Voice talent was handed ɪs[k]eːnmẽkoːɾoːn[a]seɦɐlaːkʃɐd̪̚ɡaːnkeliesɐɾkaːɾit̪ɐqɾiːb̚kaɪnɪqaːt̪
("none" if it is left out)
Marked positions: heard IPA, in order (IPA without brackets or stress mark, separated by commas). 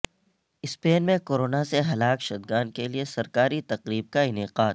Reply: p, a